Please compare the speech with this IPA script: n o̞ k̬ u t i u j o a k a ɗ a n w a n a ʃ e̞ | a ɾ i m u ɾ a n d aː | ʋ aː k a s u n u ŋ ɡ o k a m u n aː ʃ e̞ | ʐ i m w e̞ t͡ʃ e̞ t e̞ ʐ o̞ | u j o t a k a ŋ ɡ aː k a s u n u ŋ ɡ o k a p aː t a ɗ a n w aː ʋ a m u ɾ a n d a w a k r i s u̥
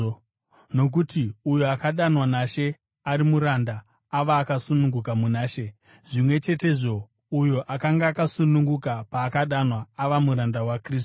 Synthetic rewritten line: n o̞ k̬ u t i u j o a k a ɗ a n w a n a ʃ e̞ | a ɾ i m u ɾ a n d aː | ʋ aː k a s u n u ŋ ɡ u k a m u n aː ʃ e̞ | ʐ i m w e̞ t͡ʃ e̞ t e̞ ʐ o̞ | u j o ʔ a k a ŋ ɡ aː k a s u n u ŋ ɡ u k a p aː k a ɗ a n w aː ʋ a m u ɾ a n d a w a k r i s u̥